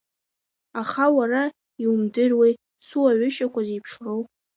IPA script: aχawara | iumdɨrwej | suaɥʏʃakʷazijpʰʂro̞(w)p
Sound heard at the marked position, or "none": w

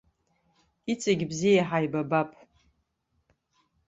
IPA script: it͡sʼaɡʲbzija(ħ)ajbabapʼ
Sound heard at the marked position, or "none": ħ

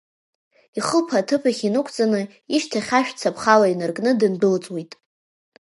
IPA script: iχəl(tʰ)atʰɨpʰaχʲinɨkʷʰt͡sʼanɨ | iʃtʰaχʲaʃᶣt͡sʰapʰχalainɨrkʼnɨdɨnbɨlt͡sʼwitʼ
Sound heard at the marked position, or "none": pʰ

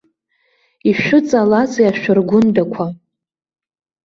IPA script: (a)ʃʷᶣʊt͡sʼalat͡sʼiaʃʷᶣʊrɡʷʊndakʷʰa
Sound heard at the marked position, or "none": i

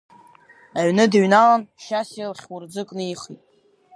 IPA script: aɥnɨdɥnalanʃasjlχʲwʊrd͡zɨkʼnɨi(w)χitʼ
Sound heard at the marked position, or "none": none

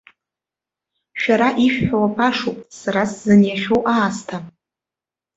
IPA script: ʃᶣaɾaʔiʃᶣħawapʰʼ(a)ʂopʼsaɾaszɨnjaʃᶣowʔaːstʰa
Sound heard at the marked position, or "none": a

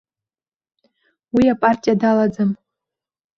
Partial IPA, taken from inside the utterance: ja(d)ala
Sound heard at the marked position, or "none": d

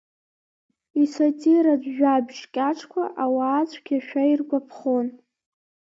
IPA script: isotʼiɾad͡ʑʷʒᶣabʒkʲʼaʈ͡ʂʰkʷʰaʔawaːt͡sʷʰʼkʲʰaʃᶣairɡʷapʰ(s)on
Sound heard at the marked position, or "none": χ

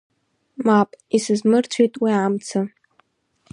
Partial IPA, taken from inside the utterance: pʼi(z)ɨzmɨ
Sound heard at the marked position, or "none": s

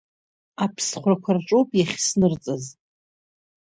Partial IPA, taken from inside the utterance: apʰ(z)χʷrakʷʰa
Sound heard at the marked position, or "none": s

